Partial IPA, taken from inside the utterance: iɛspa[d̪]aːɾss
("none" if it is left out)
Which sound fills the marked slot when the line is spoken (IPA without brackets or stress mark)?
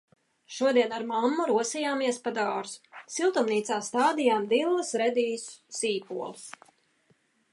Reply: d̪